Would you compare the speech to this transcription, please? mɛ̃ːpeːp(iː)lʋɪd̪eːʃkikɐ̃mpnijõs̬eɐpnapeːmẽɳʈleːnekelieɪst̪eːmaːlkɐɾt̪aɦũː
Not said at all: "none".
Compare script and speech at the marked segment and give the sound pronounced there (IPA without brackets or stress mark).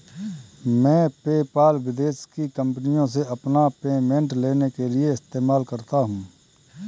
aː